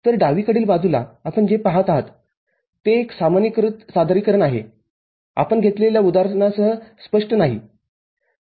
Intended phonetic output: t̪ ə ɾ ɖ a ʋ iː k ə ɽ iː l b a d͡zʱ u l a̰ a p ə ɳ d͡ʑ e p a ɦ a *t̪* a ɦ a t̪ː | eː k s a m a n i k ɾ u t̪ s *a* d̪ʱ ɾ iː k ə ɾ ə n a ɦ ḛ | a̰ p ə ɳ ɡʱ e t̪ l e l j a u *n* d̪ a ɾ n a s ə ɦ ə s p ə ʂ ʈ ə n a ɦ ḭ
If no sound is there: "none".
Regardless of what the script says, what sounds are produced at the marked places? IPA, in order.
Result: t̪, a, none

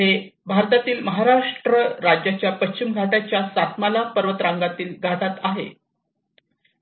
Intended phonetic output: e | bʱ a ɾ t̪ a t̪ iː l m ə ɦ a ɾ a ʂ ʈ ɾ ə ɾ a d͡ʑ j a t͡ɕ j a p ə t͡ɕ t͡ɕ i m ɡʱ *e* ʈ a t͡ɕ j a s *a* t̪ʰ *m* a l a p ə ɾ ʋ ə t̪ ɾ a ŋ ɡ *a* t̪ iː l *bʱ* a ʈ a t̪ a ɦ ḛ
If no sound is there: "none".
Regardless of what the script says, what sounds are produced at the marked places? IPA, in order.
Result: a, a, m, a, ɡʱ

